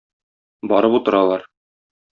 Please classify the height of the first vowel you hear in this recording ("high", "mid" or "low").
low